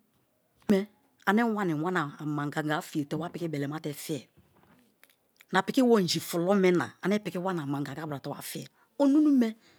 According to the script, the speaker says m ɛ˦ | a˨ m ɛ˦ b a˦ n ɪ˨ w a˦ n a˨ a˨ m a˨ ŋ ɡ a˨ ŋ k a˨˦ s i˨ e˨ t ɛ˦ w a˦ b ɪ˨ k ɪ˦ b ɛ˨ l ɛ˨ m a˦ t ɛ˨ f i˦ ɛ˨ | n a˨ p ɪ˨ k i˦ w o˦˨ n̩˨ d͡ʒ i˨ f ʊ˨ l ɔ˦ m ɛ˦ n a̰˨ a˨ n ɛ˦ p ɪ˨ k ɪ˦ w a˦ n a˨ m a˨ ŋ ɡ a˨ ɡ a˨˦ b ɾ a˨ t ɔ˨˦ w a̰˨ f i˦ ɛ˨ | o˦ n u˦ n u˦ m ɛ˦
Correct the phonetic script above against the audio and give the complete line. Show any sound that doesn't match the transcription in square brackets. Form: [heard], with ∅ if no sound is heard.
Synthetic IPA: m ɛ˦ | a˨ [n] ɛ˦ [w] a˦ n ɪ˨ w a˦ n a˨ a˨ m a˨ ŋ ɡ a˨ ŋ [ɡ] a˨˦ [f] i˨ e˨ t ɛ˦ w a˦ [p] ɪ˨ k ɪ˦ b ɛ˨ l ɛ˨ m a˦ t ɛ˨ f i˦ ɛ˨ | n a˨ p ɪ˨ k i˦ w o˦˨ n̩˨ d͡ʒ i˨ f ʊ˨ l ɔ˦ m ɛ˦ n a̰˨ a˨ n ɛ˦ p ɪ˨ k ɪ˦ w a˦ n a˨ m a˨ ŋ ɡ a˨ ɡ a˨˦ b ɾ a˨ t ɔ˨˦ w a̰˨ f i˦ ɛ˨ | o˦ n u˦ n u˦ m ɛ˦